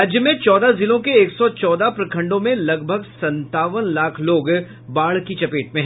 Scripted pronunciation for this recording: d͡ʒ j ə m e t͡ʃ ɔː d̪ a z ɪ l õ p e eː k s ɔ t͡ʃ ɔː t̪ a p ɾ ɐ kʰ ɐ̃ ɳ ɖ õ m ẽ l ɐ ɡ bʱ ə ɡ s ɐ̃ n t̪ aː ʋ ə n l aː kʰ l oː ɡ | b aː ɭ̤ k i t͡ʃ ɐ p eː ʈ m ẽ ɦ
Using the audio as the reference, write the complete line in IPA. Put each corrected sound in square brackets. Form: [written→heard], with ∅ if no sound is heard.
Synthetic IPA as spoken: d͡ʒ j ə m [e→ẽ] t͡ʃ ɔː d̪ a z ɪ l õ [p→k] e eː k s ɔ t͡ʃ ɔː [t̪→d̪] a p ɾ ɐ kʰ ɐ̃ ɳ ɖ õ m ẽ l ɐ ɡ bʱ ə ɡ s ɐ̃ n t̪ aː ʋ ə n l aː kʰ l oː ɡ | b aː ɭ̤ k i t͡ʃ ɐ p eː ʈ m ẽ ɦ

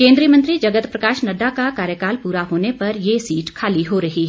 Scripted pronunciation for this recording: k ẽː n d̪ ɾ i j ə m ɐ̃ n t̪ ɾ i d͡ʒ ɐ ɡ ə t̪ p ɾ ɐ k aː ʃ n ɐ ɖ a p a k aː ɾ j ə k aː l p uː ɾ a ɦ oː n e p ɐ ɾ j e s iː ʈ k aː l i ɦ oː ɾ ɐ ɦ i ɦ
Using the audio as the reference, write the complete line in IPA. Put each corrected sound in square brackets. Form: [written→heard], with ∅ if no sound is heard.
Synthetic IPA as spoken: k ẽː n d̪ ɾ i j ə m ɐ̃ n t̪ ɾ i d͡ʒ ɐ ɡ ə t̪ p ɾ ɐ k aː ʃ n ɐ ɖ a [p→k] a k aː ɾ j ə k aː l p uː ɾ a ɦ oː n e p ɐ ɾ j e s iː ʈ [k→kʰ] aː l i ɦ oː ɾ ɐ ɦ i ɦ

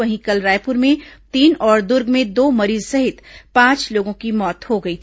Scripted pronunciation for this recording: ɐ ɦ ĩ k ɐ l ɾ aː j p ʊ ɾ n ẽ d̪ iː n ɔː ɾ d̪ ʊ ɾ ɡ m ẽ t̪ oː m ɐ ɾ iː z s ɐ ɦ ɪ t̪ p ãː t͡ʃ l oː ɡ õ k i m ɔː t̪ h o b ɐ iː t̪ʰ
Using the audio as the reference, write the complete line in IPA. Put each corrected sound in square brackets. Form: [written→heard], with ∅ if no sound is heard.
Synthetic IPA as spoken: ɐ ɦ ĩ k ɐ l ɾ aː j p ʊ ɾ [n→m] ẽ [d̪→t̪] iː n ɔː ɾ d̪ ʊ ɾ ɡ m ẽ [t̪→d̪] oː m ɐ ɾ iː z s ɐ ɦ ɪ t̪ p ãː t͡ʃ l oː ɡ õ k i m ɔː t̪ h o [b→ɡ] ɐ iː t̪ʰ

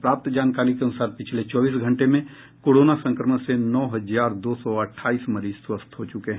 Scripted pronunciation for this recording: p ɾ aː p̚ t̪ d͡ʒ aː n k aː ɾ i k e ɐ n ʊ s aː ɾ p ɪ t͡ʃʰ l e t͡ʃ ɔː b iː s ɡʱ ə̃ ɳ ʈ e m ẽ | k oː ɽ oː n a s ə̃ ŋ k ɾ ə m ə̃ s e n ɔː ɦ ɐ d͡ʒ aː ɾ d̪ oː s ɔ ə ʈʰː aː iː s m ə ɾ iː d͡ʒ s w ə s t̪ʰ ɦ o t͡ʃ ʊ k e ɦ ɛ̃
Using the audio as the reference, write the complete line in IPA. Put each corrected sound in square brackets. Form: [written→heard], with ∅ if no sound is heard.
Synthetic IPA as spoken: p ɾ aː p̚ t̪ d͡ʒ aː n k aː ɾ i k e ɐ n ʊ s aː ɾ p ɪ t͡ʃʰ l e t͡ʃ ɔː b iː s ɡʱ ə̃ ɳ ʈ e m ẽ | k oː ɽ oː n a s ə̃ ŋ k ɾ ə m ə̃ s e n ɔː ɦ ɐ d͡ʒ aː ɾ d̪ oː s ɔ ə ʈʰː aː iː s m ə ɾ iː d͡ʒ s w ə s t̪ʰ ɦ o t͡ʃ ʊ k e ɦ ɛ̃

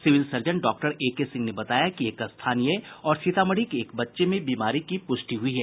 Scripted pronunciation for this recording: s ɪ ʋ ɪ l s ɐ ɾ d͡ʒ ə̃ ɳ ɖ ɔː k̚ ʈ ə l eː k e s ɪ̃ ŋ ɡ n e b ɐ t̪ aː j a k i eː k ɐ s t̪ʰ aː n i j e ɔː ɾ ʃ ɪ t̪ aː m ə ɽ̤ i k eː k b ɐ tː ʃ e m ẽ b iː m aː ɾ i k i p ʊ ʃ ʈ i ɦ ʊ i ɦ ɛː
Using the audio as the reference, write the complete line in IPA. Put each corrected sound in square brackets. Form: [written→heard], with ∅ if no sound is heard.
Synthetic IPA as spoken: s ɪ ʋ ɪ l s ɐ ɾ d͡ʒ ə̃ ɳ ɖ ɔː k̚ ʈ ə [l→ɾ] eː k e s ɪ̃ ŋ ɡ n e b ɐ t̪ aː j a k i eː k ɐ s t̪ʰ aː n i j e ɔː ɾ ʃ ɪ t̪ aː m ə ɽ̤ i k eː k b ɐ tː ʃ e m ẽ b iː m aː ɾ i k i p ʊ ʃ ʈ i ɦ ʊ i ɦ ɛː

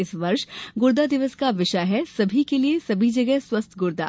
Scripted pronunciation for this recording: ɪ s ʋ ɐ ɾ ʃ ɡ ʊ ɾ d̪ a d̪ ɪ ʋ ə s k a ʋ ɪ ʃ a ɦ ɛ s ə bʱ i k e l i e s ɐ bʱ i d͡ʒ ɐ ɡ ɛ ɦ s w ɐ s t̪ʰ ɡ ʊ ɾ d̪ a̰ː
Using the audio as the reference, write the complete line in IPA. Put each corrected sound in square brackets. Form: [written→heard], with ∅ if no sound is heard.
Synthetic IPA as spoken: ɪ s ʋ ɐ ɾ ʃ ɡ ʊ ɾ d̪ a d̪ ɪ ʋ ə s k a ʋ ɪ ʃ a ɦ ɛ s [ə→ɐ] bʱ i k e l i e s ɐ bʱ i d͡ʒ ɐ ɡ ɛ ɦ s w ɐ s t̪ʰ ɡ ʊ ɾ d̪ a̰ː

